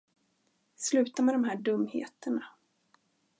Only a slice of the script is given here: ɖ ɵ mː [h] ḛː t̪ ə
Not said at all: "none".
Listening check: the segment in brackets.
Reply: h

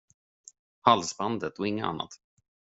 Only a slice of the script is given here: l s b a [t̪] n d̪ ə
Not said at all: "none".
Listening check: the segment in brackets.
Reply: none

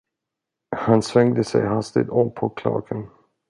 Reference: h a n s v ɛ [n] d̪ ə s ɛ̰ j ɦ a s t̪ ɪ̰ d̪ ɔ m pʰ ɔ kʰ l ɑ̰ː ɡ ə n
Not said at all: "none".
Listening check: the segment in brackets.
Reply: ŋ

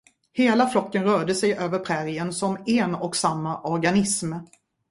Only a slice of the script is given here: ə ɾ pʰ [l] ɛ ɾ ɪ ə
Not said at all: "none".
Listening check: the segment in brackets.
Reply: ɾ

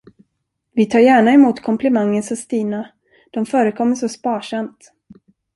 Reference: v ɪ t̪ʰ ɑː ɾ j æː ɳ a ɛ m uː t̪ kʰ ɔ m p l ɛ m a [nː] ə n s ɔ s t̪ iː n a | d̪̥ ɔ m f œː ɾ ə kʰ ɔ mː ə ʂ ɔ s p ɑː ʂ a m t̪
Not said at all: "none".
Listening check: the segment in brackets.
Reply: ŋː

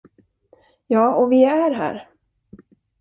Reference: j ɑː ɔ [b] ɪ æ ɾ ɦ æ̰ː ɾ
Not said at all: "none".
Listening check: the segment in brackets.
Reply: v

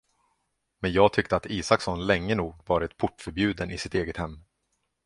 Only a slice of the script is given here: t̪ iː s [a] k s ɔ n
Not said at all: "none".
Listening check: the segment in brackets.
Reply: a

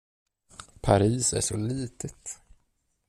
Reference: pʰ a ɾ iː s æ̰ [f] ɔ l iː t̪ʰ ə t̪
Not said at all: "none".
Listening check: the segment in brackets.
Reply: ʂ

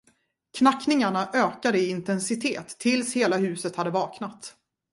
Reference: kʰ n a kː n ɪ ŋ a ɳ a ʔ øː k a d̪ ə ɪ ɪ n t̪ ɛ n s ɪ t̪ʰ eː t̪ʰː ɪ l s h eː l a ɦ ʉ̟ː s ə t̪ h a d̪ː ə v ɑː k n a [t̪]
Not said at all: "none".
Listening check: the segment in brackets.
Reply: t̪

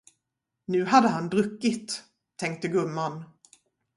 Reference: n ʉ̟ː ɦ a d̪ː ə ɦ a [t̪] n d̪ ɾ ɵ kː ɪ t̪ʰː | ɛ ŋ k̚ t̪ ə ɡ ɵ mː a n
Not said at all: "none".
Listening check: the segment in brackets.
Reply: none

